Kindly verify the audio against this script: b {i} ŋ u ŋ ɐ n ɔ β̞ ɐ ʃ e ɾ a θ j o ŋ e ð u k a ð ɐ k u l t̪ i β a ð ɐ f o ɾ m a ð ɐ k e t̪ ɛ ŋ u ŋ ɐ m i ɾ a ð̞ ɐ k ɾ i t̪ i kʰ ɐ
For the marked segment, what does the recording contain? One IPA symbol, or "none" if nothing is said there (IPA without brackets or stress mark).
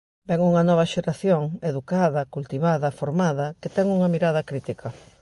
ɛ